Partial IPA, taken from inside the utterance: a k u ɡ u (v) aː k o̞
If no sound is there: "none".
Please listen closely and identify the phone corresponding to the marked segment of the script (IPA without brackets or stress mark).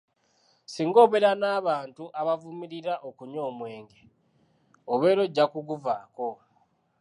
v